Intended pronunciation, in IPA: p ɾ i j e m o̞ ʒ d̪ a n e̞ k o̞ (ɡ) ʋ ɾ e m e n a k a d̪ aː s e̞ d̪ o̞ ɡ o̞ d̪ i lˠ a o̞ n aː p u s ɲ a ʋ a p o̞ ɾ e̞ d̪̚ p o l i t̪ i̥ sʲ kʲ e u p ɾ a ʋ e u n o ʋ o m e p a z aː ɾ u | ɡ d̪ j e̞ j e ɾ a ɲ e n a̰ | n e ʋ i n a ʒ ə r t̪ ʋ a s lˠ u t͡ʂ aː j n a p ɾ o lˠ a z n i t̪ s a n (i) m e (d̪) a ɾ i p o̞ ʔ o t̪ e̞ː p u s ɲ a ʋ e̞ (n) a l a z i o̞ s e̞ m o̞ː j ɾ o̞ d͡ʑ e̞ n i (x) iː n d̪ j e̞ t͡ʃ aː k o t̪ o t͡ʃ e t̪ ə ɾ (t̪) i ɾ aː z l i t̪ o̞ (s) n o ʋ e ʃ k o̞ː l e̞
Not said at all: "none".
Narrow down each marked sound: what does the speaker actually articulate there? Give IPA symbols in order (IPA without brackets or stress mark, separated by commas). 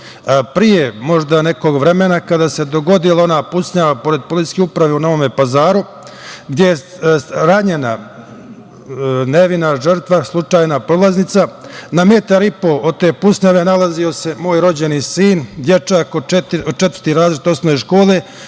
ɡ, a, t̪, n, s, t̪, s